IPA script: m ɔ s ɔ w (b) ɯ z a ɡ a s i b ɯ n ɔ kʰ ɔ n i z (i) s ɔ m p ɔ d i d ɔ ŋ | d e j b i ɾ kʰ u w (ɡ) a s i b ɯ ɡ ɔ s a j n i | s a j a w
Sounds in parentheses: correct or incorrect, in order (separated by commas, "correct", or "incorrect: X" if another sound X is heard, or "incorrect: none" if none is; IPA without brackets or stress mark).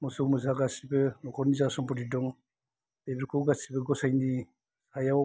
incorrect: m, incorrect: a, correct